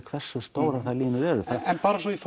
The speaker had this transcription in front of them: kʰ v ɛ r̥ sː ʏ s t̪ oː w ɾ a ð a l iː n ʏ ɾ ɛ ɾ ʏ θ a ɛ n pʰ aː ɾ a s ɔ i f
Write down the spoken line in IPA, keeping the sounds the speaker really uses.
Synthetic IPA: kʰ v ɛ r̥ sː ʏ s t̪ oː w ɾ a θ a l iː n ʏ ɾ ɛ ɾ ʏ θ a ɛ n p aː ɾ a s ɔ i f